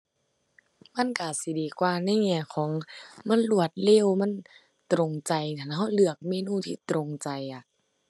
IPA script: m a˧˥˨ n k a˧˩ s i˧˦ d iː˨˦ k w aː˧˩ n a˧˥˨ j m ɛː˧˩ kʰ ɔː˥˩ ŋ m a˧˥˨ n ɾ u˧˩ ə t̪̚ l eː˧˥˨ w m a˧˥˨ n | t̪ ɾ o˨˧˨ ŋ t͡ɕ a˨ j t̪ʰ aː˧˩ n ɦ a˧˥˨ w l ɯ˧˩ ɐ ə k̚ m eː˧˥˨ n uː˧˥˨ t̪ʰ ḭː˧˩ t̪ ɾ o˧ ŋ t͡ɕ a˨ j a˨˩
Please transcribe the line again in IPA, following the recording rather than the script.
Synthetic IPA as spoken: m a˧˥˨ n k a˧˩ s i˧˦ d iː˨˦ k w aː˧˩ n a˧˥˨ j ŋ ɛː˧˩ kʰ ɔː˩˦ ŋ m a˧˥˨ n l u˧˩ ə t̪̚ l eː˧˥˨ w m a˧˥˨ n | t̪ ɾ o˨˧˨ ŋ t͡ɕ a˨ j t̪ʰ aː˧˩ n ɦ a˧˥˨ w l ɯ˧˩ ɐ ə k̚ m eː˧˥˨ n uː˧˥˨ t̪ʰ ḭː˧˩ t̪ ɾ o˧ ŋ t͡ɕ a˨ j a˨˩

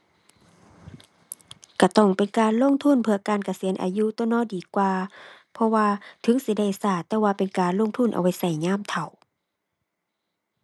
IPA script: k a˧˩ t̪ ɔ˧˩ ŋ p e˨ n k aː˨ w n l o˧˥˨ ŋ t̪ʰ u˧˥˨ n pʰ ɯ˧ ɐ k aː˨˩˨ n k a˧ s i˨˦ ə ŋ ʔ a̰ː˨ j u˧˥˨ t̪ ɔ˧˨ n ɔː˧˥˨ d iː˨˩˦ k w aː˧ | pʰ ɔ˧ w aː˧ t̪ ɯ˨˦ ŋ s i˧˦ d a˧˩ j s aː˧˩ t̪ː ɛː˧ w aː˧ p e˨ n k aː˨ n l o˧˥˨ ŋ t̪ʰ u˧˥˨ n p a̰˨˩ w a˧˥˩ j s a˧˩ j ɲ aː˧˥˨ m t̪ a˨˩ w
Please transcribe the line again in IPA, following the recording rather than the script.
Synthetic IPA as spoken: k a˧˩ t̪ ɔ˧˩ ŋ p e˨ n k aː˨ n l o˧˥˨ ŋ t̪ʰ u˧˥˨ n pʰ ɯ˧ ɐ k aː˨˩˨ n k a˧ s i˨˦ ə n ʔ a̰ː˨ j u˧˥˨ t̪ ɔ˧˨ n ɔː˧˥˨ d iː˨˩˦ k w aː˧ | pʰ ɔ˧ w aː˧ t̪ʰ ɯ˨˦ ŋ s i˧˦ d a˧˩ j s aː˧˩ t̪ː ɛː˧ w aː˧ p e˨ n k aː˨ n l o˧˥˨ ŋ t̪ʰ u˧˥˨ n ʔ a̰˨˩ w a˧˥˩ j s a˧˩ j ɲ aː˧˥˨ m t̪ʰ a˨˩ w

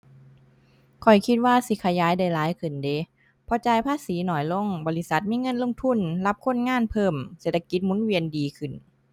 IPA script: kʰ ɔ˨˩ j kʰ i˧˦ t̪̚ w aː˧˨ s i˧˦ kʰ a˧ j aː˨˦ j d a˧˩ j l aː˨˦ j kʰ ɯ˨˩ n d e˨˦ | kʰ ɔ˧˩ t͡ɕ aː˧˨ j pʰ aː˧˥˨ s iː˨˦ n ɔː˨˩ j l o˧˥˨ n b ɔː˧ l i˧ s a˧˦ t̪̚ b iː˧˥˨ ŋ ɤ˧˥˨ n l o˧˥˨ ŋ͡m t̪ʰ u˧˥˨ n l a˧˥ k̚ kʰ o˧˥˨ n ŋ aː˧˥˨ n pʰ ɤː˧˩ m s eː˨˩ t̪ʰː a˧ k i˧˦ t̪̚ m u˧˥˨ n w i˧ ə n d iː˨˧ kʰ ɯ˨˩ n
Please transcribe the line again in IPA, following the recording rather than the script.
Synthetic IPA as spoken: kʰ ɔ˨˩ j kʰ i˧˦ t̪̚ w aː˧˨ s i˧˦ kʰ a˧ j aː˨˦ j d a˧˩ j l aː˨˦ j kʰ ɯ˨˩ n d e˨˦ | pʰ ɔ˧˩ t͡ɕ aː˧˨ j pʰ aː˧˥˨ s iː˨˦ n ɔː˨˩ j l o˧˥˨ ŋ b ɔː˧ l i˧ s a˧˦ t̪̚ m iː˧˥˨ ŋ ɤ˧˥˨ n l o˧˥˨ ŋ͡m t̪ʰ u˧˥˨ n l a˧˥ p̚ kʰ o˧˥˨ n ŋ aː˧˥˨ n pʰ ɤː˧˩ m s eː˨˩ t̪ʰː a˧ k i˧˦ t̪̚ m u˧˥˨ n w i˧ ə n d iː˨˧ kʰ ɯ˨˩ n

